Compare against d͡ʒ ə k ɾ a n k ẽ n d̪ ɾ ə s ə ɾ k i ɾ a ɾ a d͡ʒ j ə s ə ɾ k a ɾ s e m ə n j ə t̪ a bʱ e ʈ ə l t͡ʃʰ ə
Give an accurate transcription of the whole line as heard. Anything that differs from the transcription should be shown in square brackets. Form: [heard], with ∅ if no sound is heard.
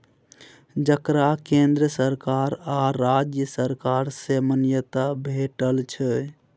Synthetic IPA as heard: d͡ʒ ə k ɾ a [∅] k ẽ n d̪ ɾ ə s ə ɾ k [a] ɾ a ɾ a d͡ʒ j ə s ə ɾ k a ɾ s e m ə n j ə t̪ a bʱ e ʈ ə l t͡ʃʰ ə